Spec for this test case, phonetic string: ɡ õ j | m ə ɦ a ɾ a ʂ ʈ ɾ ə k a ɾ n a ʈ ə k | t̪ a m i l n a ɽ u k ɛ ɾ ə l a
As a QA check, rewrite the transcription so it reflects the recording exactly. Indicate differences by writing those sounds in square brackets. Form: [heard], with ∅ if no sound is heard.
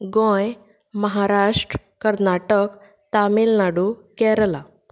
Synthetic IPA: ɡ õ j | m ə ɦ a ɾ a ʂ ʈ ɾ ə k [ə] ɾ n a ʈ ə k | t̪ a m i l n a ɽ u k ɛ ɾ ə l a